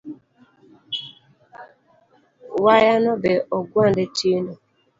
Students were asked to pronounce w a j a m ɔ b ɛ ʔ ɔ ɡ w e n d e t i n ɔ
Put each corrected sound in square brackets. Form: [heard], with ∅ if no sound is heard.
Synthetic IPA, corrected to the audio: w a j a [n] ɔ b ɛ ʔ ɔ ɡ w [a] n d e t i n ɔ